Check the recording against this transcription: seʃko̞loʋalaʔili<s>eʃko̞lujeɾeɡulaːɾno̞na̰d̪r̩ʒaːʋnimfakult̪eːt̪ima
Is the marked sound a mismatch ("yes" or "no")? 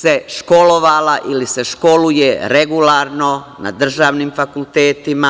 no